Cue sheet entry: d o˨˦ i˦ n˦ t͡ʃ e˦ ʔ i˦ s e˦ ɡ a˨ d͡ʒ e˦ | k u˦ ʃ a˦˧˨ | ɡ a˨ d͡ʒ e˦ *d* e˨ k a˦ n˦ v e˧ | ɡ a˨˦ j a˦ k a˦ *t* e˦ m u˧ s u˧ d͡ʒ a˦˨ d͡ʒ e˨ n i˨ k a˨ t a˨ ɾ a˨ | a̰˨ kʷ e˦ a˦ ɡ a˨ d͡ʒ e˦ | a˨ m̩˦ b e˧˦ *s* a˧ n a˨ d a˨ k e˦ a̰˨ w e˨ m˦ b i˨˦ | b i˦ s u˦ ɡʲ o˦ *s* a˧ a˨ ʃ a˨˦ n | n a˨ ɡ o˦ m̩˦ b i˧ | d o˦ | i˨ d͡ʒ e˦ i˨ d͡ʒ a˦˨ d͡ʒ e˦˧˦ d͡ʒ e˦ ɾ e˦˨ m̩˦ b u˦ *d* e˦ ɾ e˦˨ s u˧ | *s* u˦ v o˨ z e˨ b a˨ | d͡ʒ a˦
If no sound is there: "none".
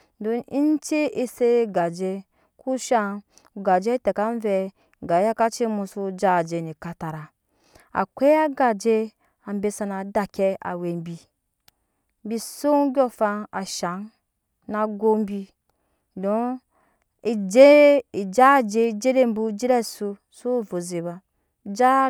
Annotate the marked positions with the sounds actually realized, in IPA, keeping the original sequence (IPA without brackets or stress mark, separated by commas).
t, t͡ʃ, s, f, d͡ʒ, s